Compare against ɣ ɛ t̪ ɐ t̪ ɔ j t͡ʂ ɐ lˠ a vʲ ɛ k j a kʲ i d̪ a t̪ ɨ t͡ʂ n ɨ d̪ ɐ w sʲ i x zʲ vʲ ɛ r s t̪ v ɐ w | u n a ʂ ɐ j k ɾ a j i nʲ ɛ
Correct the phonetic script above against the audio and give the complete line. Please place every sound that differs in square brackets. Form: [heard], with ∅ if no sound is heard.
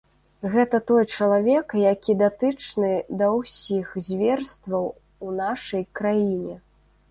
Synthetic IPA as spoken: ɣ ɛ t̪ ɐ t̪ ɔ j t͡ʂ ɐ lˠ a vʲ ɛ k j a kʲ i d̪ a t̪ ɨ t͡ʂ n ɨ d̪ ɐ w sʲ i x zʲ vʲ ɛ r s t̪ v ɐ w | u n a ʂ ɐ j k ɾ a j i nʲ ɛ